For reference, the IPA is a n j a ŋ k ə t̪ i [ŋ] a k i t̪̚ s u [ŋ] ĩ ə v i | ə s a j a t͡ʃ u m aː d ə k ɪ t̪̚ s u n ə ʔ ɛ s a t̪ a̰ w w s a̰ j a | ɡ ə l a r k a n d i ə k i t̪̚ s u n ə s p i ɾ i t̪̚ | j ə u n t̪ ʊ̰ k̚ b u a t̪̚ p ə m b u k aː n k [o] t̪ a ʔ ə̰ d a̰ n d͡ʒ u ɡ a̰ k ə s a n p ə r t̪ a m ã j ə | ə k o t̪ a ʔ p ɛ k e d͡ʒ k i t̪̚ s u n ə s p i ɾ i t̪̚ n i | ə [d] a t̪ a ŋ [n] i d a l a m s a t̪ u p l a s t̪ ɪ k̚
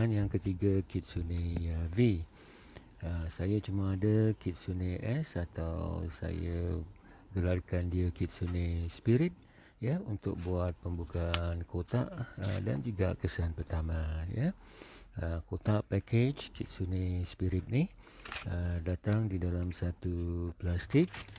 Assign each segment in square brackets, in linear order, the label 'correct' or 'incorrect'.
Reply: incorrect: ɡ, incorrect: n, correct, correct, incorrect: d

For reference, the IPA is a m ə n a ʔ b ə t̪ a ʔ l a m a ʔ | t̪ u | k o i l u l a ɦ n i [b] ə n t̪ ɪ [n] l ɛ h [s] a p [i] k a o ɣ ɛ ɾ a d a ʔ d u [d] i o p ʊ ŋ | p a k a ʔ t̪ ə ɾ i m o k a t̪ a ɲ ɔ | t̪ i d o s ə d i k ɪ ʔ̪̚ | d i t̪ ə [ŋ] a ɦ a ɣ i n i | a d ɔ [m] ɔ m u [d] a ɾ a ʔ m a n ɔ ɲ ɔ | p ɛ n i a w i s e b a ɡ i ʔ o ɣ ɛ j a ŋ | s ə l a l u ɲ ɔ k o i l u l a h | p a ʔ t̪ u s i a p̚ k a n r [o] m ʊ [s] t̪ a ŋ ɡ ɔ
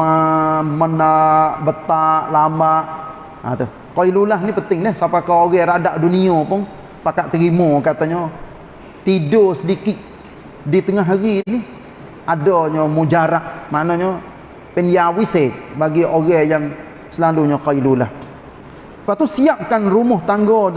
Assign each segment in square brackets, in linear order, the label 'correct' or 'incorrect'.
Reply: incorrect: p, incorrect: ŋ, correct, incorrect: a, incorrect: n, correct, incorrect: ɲ, incorrect: d͡ʒ, incorrect: u, incorrect: h

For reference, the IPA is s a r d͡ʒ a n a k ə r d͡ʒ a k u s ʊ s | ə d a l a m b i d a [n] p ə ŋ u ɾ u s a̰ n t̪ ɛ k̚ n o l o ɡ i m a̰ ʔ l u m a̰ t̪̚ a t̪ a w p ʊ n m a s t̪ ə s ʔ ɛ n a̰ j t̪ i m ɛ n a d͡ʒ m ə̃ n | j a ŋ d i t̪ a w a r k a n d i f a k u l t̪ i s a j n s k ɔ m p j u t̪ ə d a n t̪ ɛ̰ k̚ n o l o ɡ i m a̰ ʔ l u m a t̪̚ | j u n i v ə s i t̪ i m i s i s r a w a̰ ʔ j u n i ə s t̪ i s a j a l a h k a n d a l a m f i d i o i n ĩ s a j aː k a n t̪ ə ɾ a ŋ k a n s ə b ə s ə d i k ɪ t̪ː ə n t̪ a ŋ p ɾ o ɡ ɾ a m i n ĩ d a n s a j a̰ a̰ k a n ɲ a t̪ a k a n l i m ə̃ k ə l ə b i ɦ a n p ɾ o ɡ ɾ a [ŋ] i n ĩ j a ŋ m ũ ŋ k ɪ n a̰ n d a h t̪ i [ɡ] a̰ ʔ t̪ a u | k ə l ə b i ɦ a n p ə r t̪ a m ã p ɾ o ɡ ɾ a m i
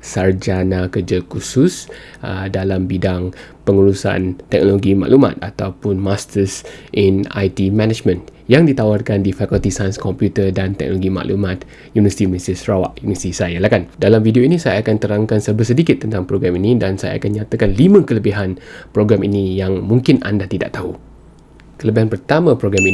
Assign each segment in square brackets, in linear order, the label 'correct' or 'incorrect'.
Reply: incorrect: ŋ, incorrect: m, incorrect: d

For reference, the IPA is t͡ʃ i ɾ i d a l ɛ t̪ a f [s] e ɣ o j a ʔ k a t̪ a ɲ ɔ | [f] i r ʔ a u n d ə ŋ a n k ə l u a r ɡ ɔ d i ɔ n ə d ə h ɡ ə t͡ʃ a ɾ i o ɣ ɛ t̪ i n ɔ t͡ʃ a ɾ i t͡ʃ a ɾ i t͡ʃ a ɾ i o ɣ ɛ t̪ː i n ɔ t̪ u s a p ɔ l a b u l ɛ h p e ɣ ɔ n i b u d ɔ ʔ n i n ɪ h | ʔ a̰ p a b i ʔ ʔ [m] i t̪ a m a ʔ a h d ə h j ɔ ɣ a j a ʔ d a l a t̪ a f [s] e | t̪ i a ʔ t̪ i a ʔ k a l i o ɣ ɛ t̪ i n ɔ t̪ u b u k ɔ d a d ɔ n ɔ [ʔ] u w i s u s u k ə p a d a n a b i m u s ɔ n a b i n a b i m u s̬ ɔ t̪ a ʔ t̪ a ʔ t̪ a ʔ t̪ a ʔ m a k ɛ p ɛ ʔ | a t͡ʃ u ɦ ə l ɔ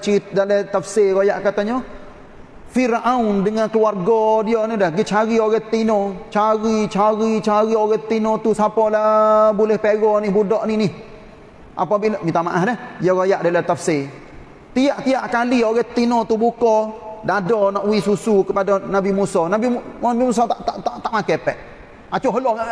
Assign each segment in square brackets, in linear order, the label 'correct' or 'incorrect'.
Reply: correct, correct, correct, correct, correct

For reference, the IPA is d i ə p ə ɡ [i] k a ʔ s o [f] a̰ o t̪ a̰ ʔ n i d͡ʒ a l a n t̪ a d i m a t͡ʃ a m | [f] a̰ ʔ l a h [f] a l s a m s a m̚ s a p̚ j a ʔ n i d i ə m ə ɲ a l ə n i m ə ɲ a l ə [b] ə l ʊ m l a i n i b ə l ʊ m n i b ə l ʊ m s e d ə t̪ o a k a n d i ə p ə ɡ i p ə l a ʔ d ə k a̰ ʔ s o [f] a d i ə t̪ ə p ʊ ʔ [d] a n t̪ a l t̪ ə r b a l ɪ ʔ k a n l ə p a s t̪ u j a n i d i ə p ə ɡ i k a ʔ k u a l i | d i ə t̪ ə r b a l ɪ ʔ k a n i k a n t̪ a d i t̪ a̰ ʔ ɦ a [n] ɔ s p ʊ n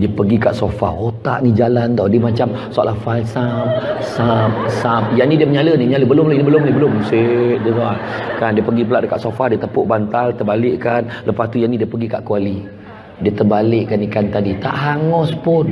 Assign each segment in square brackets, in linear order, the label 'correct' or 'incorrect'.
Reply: correct, correct, incorrect: s, correct, correct, correct, incorrect: b, incorrect: ŋ

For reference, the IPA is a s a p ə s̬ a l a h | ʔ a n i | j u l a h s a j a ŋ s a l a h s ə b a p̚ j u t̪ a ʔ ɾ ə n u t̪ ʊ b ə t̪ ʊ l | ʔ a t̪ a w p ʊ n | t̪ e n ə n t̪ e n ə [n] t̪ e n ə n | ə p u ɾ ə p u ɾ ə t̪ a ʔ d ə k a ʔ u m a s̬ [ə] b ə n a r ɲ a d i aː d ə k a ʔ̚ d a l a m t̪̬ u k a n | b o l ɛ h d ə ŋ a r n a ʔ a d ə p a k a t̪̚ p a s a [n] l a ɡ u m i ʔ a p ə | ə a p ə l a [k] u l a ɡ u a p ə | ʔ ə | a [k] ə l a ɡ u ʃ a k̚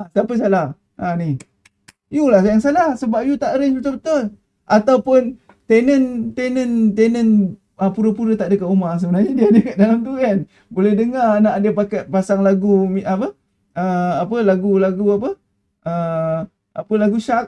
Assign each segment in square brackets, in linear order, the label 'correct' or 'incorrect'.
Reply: correct, correct, incorrect: ŋ, incorrect: ɡ, incorrect: p

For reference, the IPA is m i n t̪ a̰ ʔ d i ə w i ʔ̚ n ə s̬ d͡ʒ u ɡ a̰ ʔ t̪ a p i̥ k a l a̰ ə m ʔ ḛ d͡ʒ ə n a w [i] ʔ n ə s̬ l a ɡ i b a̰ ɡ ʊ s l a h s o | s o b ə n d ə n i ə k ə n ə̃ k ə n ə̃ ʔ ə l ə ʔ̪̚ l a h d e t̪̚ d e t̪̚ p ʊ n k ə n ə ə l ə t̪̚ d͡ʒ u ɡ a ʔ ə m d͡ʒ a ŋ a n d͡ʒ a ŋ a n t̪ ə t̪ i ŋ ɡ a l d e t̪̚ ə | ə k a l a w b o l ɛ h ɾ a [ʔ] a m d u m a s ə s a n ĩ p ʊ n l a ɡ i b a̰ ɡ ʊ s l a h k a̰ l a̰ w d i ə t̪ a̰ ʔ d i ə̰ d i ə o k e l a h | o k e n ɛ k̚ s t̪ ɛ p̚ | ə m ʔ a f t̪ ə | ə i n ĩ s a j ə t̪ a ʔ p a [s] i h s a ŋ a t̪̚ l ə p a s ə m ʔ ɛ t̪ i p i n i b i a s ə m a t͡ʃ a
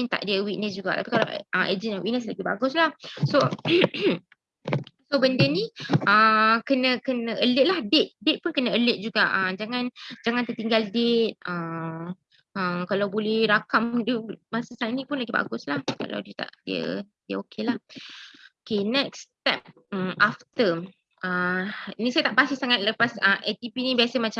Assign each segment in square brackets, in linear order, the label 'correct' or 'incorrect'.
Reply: correct, incorrect: k, correct

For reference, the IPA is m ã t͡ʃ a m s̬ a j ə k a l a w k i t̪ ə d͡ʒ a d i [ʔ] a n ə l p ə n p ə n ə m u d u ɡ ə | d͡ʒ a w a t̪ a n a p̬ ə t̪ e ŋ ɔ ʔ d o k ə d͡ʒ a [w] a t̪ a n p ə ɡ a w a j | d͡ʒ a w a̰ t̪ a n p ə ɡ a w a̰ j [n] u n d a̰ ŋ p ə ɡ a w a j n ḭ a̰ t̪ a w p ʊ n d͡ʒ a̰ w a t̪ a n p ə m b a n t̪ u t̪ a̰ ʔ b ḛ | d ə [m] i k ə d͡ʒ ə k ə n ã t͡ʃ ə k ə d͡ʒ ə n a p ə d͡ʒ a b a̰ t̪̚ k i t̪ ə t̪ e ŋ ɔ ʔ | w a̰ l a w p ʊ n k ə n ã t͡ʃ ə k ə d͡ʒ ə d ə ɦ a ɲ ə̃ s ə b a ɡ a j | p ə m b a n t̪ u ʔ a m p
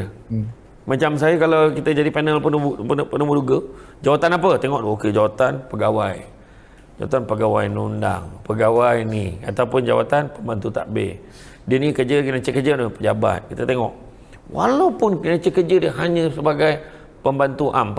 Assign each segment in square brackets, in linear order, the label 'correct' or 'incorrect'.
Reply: incorrect: p, correct, correct, incorrect: n

